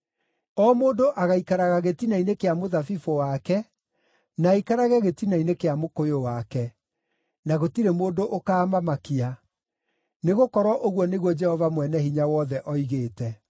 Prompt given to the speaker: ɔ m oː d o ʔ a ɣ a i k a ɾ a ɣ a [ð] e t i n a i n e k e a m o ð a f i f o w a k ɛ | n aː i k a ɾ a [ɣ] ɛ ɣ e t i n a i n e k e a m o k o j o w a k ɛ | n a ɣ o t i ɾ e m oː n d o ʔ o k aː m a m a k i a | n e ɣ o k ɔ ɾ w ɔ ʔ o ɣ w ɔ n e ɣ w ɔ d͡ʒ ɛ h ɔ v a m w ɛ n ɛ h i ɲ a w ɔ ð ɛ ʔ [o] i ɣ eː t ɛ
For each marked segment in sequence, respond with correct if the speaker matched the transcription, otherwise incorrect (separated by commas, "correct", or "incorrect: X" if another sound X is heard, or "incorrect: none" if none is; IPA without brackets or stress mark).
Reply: incorrect: ɣ, correct, incorrect: ɔ